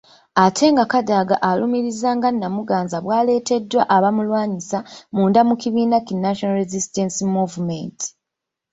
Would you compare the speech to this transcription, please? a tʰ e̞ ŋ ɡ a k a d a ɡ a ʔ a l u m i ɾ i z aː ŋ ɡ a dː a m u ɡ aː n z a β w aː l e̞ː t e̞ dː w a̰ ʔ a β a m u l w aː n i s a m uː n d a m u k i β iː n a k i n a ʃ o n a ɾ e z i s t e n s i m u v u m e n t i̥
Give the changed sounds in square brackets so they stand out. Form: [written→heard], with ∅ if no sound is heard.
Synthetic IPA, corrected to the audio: a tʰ e̞ ŋ ɡ a k a d a ɡ a ʔ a l u m i ɾ i z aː ŋ ɡ a [dː→nː] a m u ɡ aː n z a β w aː l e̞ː t e̞ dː w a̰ ʔ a β a m u l w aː [n→ɲ] i s a m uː n d a m u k i β iː n a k i n a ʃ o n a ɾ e z i s t e n s i m u v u m e n t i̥

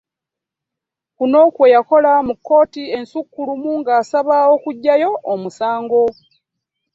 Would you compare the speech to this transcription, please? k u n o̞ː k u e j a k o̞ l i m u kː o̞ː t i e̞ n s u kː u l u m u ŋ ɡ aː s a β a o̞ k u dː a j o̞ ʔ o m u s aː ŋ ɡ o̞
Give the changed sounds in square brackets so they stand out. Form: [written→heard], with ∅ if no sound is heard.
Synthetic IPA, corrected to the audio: k u n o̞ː k [u→w] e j a k o̞ l [i→a] m u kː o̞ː t i e̞ n s u kː u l u m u ŋ ɡ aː s a β a o̞ k u [dː→ɟː] a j o̞ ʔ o m u s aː ŋ ɡ o̞

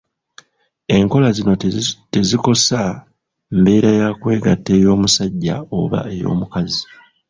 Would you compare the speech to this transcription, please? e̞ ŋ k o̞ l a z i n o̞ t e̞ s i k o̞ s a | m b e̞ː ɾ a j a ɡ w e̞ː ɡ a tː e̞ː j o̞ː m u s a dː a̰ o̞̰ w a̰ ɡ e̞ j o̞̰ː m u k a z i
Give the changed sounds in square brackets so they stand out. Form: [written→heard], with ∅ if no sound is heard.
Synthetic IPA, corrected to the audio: e̞ ŋ k o̞ l a z i n o̞ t e̞ [s→z] i k o̞ s a | m b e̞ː ɾ a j a [ɡ→k] w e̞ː ɡ a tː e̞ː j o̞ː m u s a [dː→ɟː] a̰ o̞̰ [w→β] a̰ [ɡ→∅] e̞ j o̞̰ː m u k a z i

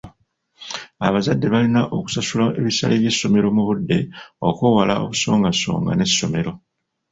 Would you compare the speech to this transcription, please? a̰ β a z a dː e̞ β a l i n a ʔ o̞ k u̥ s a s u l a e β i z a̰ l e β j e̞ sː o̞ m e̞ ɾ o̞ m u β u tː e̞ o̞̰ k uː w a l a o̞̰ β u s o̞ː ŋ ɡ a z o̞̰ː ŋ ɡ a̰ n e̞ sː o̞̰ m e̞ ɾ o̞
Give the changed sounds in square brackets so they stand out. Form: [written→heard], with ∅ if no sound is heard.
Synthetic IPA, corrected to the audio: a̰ β a z a dː e̞ β a l i n a ʔ o̞ k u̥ s a s u l a e β i [z→s] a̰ l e β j e̞ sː o̞ m e̞ ɾ o̞ m u β u [tː→dː] e̞ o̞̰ k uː w a l a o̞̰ β u s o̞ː ŋ ɡ a [z→s] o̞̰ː ŋ ɡ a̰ n e̞ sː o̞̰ m e̞ ɾ o̞

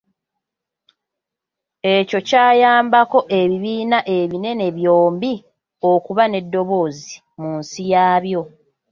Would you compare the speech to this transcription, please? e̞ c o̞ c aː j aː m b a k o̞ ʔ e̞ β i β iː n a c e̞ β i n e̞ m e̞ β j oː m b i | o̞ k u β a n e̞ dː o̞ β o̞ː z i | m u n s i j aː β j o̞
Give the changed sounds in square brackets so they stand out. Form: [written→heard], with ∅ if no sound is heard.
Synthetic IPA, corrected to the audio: e̞ c o̞ c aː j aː m b a k o̞ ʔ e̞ β i β iː n a [c→ʔ] e̞ β i n e̞ [m→n] e̞ β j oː m b i | o̞ k u β a n e̞ dː o̞ β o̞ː z i | m u n s i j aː β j o̞

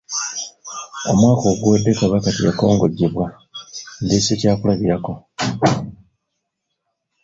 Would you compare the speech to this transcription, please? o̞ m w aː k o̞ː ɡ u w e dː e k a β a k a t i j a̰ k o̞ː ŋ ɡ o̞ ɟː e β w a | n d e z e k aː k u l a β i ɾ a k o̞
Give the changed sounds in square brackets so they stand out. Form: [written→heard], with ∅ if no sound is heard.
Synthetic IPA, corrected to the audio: o̞ m w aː k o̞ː ɡ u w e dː e k a β a k a t i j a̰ k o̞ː ŋ ɡ o̞ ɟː e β w a | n d e [z→s] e [k→c] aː k u l a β i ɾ a k o̞

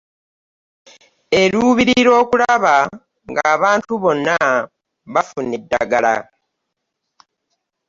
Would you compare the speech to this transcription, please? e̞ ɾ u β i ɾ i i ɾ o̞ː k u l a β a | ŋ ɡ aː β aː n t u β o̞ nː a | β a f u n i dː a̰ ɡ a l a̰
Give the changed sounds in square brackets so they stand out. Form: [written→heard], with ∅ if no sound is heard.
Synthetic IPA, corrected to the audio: e̞ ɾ u β i ɾ i i ɾ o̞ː k u l a β a | ŋ ɡ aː β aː n t u β o̞ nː a | β a f u n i dː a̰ ɡ a l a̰

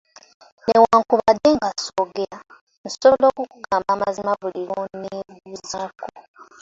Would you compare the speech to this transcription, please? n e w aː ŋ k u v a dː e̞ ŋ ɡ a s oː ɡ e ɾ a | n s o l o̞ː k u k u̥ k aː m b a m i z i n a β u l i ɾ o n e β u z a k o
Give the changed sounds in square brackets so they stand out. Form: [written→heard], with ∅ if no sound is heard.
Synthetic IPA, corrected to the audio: n e w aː ŋ k u [v→β] a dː e̞ ŋ ɡ a s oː ɡ e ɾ a | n s o l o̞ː k u k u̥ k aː m b a m [i→a] z i [n→m] a β u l i ɾ o n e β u z a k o

